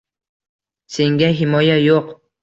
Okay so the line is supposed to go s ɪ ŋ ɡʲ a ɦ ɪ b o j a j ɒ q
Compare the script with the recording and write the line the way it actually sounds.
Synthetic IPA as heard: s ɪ ŋ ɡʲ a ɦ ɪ m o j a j o q